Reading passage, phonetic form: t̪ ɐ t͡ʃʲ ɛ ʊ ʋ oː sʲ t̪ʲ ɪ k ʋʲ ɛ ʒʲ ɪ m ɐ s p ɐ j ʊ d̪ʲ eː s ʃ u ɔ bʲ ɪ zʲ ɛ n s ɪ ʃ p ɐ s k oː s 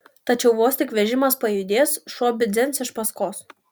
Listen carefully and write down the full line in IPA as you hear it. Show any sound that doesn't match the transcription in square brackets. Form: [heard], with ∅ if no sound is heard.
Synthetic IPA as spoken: t̪ ɐ t͡ʃʲ ɛ ʊ ʋ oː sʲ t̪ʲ ɪ k ʋʲ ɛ ʒʲ ɪ m ɐ s p ɐ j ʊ d̪ʲ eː s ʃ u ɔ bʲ ɪ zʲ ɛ n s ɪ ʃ p ɐ s k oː s